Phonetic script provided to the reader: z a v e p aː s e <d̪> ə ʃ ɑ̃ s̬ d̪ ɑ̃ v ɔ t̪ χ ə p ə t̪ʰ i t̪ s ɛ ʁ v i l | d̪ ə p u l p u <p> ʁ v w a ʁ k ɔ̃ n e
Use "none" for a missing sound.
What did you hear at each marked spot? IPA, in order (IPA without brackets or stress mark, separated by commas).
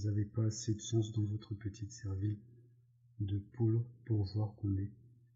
d̪, none